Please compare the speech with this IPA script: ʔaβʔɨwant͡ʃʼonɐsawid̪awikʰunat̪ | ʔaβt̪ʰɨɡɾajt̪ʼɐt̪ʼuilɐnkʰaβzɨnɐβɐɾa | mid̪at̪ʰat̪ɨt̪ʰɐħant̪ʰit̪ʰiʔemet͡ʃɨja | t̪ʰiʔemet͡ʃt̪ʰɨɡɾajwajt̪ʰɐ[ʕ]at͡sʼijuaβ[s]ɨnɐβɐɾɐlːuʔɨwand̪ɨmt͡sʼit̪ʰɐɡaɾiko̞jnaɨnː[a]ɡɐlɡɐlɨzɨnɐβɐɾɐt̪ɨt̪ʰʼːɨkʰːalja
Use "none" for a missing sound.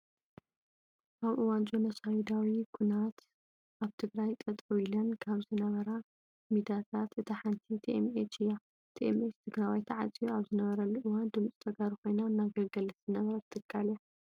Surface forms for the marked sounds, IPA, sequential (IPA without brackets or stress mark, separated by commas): ʕ, z, a